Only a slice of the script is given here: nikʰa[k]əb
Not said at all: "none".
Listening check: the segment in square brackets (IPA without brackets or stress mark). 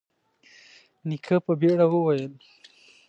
p